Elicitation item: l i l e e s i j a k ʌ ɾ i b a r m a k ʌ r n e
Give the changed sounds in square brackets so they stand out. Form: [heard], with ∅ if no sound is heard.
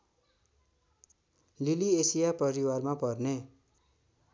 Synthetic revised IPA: l i l [i] e s i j a [p] ʌ ɾ i [w] a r m a [p] ʌ r n e